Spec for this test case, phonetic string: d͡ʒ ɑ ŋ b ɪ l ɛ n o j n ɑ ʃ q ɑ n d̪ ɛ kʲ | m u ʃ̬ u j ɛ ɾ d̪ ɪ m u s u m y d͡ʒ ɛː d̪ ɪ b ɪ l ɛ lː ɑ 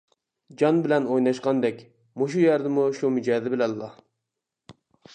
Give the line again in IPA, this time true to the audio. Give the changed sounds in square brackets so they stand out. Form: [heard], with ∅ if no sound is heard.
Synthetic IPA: d͡ʒ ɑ [n] b ɪ l ɛ n o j n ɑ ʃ q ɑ n d̪ ɛ kʲ | m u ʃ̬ u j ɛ ɾ d̪ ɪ m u [ʃ] u m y d͡ʒ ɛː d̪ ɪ b ɪ l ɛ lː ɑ